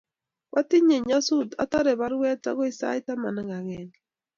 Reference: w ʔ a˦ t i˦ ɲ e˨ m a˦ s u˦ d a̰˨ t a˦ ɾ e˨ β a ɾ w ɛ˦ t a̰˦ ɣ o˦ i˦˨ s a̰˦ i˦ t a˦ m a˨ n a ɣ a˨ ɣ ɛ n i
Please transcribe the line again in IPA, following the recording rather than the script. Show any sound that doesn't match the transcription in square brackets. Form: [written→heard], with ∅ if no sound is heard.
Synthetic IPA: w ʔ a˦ t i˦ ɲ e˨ [m→ɲ] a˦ s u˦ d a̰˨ t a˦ ɾ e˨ β a ɾ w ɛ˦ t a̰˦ ɣ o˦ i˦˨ s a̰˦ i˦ t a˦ m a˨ n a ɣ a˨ ɣ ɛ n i